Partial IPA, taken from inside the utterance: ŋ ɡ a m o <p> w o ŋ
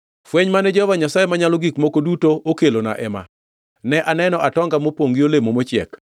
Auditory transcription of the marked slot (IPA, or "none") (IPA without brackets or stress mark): p